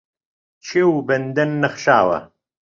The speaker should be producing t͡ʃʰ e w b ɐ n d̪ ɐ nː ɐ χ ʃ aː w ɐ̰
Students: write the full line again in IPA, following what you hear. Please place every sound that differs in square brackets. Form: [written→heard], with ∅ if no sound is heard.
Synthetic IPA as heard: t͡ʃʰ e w b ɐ n d̪ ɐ nː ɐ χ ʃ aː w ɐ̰